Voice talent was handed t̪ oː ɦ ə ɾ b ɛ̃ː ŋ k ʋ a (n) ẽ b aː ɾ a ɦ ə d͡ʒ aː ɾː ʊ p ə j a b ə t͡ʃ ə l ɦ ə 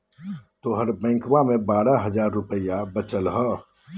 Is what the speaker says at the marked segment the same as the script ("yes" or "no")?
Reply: no